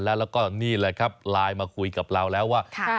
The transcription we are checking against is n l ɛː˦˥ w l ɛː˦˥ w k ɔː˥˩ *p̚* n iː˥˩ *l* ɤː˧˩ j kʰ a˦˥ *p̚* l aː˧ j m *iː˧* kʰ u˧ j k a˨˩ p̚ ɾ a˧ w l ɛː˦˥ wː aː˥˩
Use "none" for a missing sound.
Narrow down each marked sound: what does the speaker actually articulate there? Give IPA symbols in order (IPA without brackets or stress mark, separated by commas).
none, l, p̚, aː˧